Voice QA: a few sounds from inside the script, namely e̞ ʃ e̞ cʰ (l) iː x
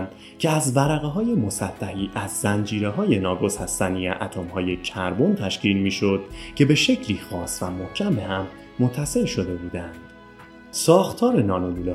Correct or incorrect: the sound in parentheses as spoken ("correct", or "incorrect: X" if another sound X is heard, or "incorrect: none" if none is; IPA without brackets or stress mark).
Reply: correct